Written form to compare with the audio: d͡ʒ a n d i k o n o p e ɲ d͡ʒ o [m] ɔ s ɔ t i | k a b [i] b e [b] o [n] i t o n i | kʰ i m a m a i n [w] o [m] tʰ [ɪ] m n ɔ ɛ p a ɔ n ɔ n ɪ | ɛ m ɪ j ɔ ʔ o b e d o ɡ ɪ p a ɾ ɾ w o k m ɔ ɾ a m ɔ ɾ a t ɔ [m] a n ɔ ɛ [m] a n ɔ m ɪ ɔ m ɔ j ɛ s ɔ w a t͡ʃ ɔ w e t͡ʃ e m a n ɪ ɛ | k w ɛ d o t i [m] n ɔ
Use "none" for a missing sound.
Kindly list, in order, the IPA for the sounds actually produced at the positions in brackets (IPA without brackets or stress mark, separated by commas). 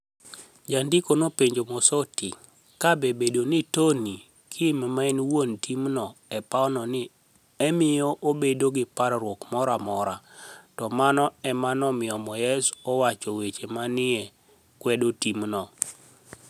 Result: m, e, d, n, w, n, i, m, m, m